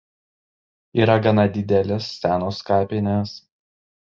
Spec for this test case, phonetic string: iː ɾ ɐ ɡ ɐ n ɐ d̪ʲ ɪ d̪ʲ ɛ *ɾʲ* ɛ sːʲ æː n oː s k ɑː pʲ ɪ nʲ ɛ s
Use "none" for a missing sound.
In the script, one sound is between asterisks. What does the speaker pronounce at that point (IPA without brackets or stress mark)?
lʲ